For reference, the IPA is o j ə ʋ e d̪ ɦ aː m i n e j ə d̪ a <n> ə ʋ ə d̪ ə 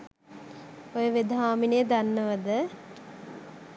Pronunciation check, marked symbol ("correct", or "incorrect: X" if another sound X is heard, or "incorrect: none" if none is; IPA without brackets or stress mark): incorrect: nː